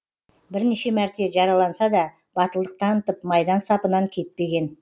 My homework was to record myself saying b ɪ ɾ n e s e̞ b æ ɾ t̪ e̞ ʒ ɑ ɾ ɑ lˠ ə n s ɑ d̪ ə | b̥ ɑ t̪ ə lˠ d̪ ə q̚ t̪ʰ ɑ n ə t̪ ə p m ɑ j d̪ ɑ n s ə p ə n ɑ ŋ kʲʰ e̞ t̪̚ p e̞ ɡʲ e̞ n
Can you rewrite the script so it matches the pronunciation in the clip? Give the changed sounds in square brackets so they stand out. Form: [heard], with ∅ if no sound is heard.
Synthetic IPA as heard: b ɪ ɾ n e [ʃ] e̞ [m] æ ɾ t̪ e̞ ʒ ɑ ɾ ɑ lˠ [ɑ] n s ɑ d̪ [ɑ] | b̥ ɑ t̪ ə lˠ d̪ ə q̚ t̪ʰ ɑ n ə t̪ ə p m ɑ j d̪ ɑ n s [ɑ] p ə n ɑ ŋ kʲʰ e̞ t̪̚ p e̞ ɡʲ e̞ n